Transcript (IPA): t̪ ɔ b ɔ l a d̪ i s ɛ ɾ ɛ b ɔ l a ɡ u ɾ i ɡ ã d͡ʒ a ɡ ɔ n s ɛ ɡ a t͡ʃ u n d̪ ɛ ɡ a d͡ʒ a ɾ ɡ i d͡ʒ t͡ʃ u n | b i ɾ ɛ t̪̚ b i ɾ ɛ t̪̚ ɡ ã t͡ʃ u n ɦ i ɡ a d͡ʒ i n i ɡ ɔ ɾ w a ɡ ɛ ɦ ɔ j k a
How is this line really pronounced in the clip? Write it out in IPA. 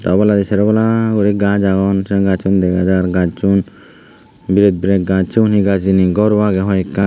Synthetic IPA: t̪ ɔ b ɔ l a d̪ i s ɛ ɾ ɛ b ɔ l a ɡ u ɾ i ɡ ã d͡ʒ a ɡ ɔ n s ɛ ɡ a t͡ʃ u n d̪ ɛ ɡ a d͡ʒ a ɾ ɡ a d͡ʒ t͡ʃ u n | b i ɾ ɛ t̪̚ b i ɾ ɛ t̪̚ ɡ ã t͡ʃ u n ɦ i ɡ a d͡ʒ i n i ɡ ɔ ɾ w a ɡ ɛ ɦ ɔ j k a